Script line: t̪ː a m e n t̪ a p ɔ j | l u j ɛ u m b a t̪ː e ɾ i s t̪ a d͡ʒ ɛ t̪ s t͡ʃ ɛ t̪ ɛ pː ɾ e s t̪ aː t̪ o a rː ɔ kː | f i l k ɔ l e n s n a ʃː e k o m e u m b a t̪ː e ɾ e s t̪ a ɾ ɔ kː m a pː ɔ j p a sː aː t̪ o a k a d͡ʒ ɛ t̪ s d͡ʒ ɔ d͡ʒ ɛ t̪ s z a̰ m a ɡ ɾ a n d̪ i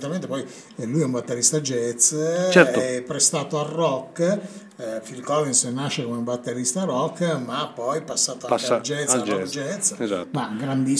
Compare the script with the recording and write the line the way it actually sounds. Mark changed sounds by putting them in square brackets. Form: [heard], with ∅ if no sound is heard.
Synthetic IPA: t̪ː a m e n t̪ [e] p ɔ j | l u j ɛ u m b a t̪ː e ɾ i s t̪ a d͡ʒ ɛ t̪ s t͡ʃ ɛ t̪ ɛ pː ɾ e s t̪ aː t̪ o a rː ɔ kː | f i l k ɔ l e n s n a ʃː e k o m e u m b a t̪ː e ɾ [i] s t̪ a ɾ ɔ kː m a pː ɔ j p a sː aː t̪ o a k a d͡ʒ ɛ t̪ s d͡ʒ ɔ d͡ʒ ɛ t̪ s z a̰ m a ɡ ɾ a n d̪ i